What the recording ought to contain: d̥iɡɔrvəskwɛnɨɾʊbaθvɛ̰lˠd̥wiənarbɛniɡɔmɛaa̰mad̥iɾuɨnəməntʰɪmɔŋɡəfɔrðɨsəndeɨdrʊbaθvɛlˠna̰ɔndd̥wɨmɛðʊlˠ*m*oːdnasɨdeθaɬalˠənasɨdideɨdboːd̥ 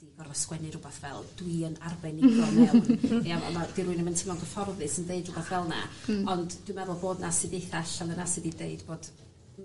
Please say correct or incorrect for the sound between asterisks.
incorrect